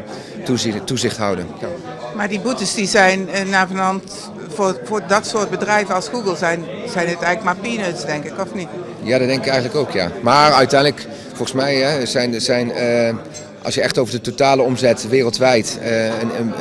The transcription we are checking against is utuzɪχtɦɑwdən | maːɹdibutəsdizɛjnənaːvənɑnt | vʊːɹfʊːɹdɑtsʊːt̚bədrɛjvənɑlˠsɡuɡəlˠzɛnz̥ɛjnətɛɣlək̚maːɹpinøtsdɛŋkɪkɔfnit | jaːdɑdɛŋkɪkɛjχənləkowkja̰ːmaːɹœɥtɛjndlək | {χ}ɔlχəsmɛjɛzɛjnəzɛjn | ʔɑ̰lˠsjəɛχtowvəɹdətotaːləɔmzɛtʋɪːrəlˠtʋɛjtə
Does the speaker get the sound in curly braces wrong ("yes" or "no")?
yes